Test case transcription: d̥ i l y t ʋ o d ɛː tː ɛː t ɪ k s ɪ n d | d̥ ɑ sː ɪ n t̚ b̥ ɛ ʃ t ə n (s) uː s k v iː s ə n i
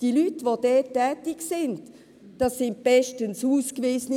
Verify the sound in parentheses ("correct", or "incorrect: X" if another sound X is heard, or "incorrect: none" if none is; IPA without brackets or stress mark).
correct